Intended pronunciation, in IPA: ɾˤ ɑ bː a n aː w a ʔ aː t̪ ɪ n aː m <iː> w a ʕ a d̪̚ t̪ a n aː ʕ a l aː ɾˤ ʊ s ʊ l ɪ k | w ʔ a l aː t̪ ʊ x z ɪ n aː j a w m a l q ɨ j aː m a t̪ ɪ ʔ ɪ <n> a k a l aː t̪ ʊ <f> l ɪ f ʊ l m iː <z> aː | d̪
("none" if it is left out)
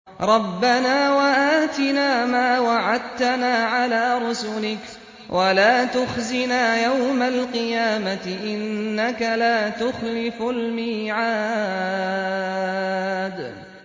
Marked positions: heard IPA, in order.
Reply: aː, nː, x, ʕ

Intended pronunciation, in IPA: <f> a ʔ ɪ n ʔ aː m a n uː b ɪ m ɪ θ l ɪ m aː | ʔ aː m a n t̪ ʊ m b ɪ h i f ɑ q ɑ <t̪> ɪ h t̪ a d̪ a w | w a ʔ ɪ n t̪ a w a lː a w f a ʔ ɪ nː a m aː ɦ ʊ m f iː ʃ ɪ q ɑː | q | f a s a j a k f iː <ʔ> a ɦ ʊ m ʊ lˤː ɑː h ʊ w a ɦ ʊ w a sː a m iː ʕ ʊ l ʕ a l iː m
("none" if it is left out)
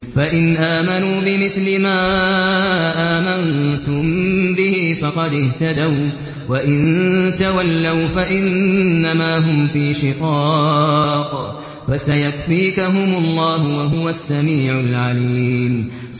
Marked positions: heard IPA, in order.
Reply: f, d̪, k

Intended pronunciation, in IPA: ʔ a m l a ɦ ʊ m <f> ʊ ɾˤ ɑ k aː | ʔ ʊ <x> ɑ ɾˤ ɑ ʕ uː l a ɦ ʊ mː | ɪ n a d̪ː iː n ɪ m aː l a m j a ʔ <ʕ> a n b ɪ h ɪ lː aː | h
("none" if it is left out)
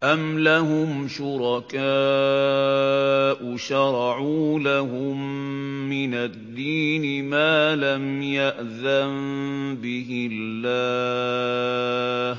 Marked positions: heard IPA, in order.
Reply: ʃ, ʃ, ð

